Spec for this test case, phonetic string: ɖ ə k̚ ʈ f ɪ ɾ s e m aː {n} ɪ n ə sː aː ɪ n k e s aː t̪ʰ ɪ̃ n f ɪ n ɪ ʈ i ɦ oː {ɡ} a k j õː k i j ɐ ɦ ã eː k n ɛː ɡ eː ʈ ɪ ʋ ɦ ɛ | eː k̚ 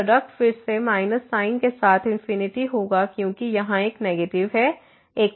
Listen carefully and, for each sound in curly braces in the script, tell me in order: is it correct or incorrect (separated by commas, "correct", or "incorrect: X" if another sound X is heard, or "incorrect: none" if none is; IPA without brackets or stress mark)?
incorrect: none, correct